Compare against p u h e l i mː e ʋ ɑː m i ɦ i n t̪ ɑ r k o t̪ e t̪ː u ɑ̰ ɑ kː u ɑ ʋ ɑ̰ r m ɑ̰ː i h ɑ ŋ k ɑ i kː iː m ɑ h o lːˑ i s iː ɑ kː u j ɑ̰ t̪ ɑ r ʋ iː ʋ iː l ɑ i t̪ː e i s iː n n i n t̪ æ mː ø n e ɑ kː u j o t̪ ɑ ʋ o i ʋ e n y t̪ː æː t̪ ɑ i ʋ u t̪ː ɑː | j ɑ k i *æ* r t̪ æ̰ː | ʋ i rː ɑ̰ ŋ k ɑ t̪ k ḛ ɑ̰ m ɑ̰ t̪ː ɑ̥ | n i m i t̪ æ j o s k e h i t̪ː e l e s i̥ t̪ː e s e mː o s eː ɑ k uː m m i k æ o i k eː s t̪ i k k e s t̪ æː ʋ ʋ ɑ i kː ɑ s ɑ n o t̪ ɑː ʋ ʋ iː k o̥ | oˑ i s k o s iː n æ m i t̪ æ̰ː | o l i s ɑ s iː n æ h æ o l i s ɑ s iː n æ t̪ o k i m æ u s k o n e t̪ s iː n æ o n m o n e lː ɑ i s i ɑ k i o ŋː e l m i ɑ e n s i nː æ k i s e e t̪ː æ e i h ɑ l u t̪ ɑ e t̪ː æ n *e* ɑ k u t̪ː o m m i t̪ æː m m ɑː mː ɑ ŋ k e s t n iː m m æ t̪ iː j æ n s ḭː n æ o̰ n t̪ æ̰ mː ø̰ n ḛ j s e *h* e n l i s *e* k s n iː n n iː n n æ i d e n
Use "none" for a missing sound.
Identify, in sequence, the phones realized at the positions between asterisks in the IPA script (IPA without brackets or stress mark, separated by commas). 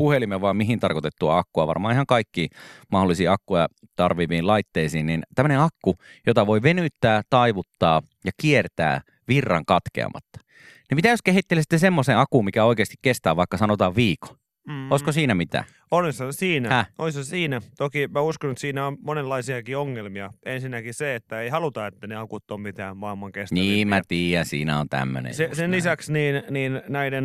e, e, s, æ